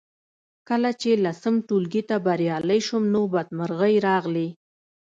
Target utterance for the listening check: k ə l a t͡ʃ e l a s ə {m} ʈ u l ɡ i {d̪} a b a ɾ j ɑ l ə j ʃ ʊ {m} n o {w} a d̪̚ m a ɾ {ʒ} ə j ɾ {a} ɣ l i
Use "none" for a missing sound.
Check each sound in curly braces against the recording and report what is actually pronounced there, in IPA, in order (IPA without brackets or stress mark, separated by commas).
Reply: m, t̪, m, b, ɣ, ɑ